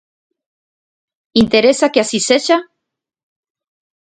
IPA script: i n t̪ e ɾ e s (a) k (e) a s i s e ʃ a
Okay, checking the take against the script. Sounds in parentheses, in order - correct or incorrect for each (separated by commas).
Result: correct, correct